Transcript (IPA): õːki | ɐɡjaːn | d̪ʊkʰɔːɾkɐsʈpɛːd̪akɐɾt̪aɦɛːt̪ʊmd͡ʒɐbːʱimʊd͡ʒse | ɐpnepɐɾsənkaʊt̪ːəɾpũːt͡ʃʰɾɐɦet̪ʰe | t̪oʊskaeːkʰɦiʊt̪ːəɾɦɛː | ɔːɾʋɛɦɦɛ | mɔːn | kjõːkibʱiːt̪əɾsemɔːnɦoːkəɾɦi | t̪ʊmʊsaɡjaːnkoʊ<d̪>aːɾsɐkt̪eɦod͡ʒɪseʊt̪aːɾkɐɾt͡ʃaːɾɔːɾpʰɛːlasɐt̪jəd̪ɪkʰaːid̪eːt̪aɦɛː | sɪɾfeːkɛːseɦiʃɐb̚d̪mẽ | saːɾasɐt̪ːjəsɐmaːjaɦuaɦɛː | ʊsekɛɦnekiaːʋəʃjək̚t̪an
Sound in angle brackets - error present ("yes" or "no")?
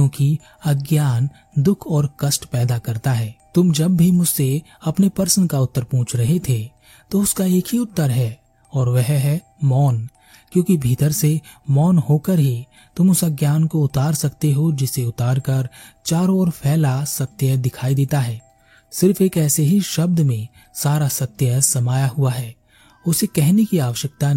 yes